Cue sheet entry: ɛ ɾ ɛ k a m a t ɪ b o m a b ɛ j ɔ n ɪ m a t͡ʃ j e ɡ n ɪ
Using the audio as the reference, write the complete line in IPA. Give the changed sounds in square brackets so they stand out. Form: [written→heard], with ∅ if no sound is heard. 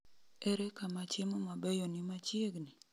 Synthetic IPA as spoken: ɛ ɾ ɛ k a m a [t→t͡ʃ] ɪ [b→m] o m a b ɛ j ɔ n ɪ m a t͡ʃ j e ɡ n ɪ